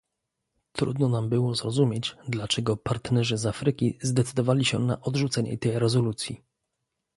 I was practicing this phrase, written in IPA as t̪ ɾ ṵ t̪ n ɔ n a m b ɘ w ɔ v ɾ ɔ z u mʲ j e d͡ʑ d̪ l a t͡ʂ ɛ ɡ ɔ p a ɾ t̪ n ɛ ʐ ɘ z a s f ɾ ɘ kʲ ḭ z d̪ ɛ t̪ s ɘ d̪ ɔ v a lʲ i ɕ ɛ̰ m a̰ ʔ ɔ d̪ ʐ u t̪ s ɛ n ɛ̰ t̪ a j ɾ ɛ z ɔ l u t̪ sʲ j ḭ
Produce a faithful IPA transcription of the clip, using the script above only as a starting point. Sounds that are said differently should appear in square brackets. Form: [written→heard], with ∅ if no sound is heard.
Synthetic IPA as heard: t̪ ɾ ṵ [t̪→d̪] n ɔ n a m b ɘ w ɔ [v→z] ɾ ɔ z u mʲ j e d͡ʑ d̪ l a t͡ʂ ɛ ɡ ɔ p a ɾ t̪ n ɛ ʐ ɘ z a [s→∅] f ɾ ɘ kʲ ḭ z d̪ ɛ t̪ s ɘ d̪ ɔ v a lʲ i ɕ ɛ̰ [m→n] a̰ ʔ ɔ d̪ ʐ u t̪ s ɛ [n→ɲ] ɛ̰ t̪ [a→ɛ] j ɾ ɛ z ɔ l u t̪ sʲ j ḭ